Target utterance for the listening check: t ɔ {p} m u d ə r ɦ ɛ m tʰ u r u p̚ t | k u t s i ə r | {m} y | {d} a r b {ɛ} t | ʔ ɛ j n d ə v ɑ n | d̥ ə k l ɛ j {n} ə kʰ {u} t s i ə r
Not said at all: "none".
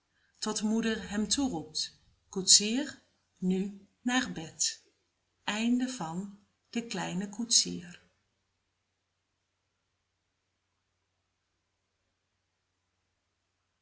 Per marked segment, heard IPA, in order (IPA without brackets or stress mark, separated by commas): t, n, n, ɛ, n, u